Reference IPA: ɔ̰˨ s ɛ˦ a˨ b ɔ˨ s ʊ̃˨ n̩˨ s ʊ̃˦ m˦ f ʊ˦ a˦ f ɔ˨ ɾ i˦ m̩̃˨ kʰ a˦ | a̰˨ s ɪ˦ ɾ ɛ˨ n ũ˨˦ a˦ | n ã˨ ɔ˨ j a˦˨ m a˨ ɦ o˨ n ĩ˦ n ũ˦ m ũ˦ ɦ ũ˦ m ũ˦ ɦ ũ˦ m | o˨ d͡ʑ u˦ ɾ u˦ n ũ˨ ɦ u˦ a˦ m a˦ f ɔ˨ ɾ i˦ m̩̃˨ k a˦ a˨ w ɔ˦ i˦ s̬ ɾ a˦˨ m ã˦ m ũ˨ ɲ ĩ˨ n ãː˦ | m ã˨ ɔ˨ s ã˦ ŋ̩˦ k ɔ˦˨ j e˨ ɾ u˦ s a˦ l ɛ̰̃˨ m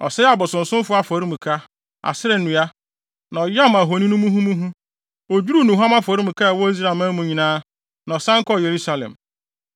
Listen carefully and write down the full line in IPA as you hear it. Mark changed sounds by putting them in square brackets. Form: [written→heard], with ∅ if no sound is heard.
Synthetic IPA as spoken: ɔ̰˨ s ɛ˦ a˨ b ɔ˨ s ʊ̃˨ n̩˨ s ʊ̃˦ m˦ f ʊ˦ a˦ f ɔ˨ ɾ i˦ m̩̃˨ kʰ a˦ | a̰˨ s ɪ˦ ɾ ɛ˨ n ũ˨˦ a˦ | n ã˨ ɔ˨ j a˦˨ m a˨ ɦ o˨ n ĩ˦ n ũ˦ m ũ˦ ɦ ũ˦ m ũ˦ ɦ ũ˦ [m→∅] | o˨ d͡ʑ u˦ ɾ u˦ n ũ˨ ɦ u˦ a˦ m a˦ f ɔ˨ ɾ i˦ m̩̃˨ k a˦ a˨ w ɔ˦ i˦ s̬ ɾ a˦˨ m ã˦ m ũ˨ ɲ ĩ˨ n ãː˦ | [m→n] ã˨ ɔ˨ s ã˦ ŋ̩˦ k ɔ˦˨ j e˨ ɾ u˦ s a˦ l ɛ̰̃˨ m

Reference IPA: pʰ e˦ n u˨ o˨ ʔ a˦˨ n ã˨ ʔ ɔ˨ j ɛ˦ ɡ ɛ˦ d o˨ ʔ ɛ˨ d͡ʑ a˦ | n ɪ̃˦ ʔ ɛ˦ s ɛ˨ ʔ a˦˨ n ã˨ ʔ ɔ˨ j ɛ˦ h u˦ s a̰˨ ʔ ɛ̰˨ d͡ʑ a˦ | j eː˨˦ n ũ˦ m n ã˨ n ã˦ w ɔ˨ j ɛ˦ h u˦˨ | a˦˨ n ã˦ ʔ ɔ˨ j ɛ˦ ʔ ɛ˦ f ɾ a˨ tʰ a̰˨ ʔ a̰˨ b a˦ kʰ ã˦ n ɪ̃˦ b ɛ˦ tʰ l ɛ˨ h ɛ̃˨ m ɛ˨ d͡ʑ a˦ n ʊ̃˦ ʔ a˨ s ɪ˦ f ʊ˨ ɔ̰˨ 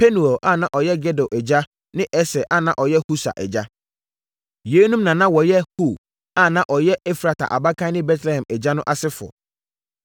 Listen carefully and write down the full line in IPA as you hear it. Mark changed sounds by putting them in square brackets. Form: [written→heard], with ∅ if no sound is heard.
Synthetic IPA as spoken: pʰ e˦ n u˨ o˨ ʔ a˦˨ n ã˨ ʔ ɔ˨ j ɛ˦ ɡ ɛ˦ d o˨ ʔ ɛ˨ d͡ʑ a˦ | n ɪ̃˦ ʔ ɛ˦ s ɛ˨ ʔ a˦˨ n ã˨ ʔ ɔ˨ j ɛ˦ h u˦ s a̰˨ ʔ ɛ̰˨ d͡ʑ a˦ | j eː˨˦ n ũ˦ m n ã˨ n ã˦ w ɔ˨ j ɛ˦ h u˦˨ | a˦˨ n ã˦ ʔ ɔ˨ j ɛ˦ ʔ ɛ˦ f ɾ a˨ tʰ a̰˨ ʔ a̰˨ b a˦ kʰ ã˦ n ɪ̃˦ b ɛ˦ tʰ l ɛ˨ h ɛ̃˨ m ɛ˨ d͡ʑ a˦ n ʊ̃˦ ʔ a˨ s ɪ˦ f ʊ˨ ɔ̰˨

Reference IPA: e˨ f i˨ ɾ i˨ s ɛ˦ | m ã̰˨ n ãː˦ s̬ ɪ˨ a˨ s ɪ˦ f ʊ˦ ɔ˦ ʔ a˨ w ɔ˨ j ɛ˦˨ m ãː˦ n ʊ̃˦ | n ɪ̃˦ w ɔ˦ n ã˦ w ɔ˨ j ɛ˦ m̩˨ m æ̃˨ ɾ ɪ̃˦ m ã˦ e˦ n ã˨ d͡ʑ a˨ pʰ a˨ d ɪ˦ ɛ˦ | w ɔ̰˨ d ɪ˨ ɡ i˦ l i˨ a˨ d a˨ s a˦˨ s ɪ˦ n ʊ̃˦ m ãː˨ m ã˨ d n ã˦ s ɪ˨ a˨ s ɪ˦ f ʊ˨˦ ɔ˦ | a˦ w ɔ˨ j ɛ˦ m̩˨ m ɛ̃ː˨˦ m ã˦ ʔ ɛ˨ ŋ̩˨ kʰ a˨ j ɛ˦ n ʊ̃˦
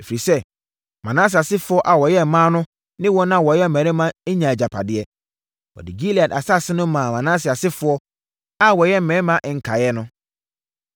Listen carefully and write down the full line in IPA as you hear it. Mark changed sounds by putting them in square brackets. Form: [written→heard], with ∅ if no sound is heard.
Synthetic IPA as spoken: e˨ f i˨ ɾ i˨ s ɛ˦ | m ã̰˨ n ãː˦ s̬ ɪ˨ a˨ s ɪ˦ f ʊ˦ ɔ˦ ʔ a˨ w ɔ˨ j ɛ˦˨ m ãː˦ n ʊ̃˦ | n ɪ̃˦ w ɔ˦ n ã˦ w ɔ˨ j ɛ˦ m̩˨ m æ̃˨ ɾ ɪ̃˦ m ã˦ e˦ [n→ɲ] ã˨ d͡ʑ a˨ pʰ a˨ d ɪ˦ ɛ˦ | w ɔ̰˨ d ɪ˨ ɡ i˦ l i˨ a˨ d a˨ s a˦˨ s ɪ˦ n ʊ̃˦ m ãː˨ m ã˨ [d→∅] n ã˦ s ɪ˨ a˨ s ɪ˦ f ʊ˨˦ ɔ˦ | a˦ w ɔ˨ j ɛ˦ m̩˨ m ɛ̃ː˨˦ m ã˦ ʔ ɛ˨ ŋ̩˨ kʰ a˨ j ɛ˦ n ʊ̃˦

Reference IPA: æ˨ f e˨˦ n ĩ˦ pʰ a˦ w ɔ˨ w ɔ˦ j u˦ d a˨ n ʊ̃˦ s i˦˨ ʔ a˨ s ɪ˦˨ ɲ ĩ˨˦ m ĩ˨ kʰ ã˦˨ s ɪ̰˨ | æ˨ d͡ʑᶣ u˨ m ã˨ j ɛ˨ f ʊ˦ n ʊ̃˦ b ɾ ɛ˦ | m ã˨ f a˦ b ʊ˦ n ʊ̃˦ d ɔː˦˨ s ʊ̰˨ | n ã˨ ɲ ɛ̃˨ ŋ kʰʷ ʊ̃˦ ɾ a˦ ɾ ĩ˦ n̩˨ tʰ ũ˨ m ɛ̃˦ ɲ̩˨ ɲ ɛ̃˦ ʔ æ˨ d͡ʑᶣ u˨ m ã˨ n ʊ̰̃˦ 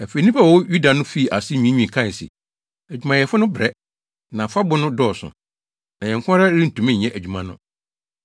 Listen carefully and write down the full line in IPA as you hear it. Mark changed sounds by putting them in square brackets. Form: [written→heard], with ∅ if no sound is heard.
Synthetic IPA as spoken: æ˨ f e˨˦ n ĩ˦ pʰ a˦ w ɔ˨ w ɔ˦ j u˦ d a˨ n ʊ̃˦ [s→f] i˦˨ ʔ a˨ s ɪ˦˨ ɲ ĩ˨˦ [m→ɲ] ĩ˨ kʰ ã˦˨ s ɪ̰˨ | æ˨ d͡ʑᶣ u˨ m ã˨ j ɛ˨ f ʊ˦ n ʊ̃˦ b ɾ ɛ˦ | [m→n] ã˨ f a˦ b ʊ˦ n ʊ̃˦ d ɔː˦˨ s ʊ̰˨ | n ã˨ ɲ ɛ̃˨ ŋ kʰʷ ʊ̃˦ ɾ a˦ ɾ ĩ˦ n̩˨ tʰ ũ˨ m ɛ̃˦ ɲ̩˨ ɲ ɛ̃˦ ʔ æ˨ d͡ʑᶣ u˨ m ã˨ n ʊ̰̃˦

